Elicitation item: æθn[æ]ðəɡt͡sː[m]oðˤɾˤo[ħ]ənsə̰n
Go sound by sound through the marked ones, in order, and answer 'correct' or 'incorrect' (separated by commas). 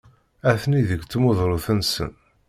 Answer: incorrect, correct, incorrect